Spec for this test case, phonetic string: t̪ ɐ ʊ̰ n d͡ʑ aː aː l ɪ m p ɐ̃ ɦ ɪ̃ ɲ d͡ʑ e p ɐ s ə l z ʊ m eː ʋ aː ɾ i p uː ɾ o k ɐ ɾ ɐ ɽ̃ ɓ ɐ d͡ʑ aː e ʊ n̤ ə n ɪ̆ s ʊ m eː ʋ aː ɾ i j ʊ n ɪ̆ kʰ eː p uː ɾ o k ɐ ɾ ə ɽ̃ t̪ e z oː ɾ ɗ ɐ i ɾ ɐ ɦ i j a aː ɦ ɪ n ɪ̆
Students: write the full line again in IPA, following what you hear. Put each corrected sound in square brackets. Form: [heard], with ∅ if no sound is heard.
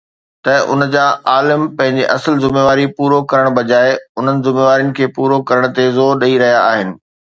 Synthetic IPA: t̪ ɐ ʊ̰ n d͡ʑ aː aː l ɪ m p ɐ̃ ɦ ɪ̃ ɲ d͡ʑ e [ʔ] ɐ s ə l z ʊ m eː ʋ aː ɾ i p uː ɾ o k ɐ ɾ [ə] ɽ̃ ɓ ɐ d͡ʑ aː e ʊ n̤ ə n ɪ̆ [z] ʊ m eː ʋ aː ɾ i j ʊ n ɪ̆ kʰ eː p uː ɾ o k ɐ ɾ ə ɽ̃ t̪ e z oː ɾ ɗ ɐ i ɾ ɐ ɦ i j a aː ɦ ɪ n ɪ̆